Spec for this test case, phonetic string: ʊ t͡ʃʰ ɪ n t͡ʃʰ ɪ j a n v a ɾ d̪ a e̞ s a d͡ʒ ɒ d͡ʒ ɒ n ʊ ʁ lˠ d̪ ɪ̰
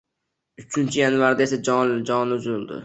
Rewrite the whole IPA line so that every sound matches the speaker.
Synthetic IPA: ʊ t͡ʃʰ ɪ n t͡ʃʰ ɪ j a n v a ɾ d̪ a e̞ s a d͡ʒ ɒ d͡ʒ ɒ n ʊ z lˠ d̪ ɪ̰